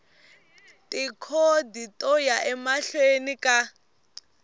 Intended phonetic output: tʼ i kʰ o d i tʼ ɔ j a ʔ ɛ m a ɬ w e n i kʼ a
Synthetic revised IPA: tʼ i kʰ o d i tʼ ɔ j a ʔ ɛ m a ɬ w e n i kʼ a

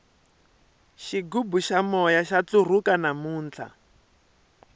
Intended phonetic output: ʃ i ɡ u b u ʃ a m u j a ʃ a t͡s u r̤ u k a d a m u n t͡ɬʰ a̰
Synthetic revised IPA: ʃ i ɡ u b u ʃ a m ɔ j a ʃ a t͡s u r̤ u k a n a m uː n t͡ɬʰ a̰

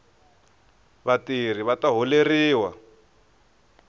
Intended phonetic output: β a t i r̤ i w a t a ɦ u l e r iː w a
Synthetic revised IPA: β a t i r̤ i β a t a ɦ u l e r iː w a

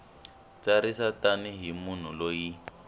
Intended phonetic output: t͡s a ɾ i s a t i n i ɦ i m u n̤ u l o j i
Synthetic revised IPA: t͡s a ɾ i s a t a n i ɦ i m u n̤ u l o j i

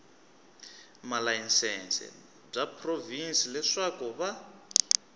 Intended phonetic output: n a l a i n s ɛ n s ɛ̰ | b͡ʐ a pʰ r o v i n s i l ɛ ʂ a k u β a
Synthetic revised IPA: m a l a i n s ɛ n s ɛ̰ | b͡ʐ a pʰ r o v i n s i l ɛ ʂ a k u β a

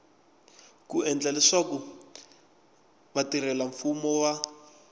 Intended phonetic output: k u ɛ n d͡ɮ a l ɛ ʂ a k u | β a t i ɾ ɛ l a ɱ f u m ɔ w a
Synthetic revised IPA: k u ɛ n d͡ɮ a l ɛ ʂ a k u | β a t i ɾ ɛ l a ɱ f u m ɔ w a

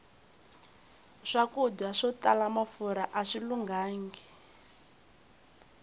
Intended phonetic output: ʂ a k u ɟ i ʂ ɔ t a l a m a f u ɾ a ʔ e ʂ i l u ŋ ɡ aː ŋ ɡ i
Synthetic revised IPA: ʂ a k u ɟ a ʂ ɔ t a l a m a f u ɾ a ʔ a ʂ i l u ŋ ɡ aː ŋ ɡ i

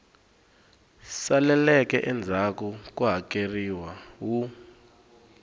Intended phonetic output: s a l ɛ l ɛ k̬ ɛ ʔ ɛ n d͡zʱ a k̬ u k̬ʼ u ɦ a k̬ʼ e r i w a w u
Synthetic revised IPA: s a l ɛ l ɛ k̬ ɛ ʔ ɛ n d͡zʱ a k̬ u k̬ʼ u ɦ a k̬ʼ e r i w a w u

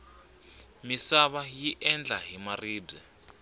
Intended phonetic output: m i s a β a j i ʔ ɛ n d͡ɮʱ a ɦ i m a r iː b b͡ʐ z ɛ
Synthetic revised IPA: m i s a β a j i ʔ ɛ n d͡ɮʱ a ɦ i m a r iː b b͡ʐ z ɛ

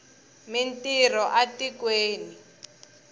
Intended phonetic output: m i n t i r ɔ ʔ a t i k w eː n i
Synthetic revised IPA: m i n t i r ɔ ʔ a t i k w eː n i

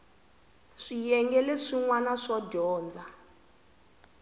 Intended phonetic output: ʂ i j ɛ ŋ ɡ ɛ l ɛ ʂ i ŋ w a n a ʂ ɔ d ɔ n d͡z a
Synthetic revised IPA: ʂ i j ɛ ŋ ɡ ɛ l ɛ ʂ i ŋ w a n a ʂ ɔ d ɔː n d͡z a

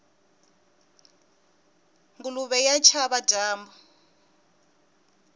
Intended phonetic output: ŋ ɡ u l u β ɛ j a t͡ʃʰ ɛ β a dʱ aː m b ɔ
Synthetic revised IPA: ŋ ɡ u l u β ɛ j a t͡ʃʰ a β a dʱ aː m b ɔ

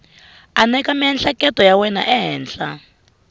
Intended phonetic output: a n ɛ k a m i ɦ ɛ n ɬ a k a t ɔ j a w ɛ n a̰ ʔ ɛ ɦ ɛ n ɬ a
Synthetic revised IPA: a n ɛ k a m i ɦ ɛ n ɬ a k ɛ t ɔ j a w ɛ n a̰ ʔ ɛ ɦ ɛː n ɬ a

